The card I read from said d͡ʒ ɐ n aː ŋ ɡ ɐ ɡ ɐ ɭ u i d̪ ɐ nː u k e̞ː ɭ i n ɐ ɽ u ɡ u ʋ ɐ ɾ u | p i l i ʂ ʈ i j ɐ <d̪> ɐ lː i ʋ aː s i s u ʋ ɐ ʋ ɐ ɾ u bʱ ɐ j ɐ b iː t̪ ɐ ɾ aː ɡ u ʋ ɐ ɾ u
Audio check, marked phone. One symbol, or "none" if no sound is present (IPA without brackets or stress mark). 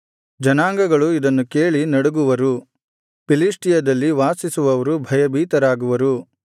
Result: d̪